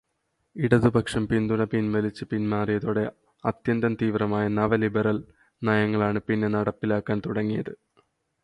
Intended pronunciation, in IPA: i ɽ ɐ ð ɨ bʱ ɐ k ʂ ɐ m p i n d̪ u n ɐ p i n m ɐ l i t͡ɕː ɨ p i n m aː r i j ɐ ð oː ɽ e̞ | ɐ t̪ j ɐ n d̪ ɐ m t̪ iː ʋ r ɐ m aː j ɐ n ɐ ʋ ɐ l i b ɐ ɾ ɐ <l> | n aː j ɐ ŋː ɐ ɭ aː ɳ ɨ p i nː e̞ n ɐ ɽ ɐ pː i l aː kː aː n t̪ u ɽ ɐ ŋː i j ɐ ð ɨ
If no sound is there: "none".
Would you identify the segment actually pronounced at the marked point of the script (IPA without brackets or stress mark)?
l